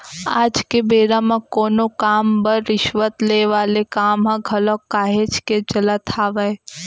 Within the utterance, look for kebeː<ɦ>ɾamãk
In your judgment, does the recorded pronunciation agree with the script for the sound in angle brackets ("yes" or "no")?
no